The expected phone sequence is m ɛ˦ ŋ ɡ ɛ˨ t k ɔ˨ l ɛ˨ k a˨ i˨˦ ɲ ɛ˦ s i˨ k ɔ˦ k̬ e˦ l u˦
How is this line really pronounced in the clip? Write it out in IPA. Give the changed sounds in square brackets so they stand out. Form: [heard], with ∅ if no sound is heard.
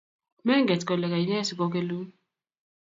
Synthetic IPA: m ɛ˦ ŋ ɡ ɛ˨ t k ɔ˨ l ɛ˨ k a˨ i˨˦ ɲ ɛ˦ s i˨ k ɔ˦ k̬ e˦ l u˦